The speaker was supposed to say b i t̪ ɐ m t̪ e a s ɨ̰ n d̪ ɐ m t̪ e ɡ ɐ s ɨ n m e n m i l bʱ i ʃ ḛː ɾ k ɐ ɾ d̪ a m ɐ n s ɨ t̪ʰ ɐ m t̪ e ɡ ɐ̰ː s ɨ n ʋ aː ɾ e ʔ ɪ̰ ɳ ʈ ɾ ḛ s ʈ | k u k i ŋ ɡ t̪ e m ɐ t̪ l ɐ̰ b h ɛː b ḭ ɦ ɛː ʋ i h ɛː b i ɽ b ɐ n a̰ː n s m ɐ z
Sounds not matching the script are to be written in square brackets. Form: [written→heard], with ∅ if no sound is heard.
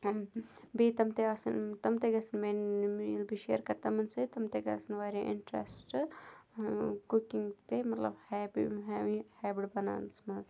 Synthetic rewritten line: b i t̪ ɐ m t̪ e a s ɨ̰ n [d̪→t̪] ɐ m t̪ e ɡ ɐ s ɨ n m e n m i l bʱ i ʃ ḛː ɾ k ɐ ɾ [d̪→t̪] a m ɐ n s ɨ [t̪ʰ→t̪] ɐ m t̪ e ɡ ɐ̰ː s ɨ n ʋ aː ɾ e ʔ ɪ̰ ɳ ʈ ɾ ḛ s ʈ | k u k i ŋ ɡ t̪ e m ɐ t̪ l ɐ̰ b h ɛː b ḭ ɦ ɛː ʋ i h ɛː b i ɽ b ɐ n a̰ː n s m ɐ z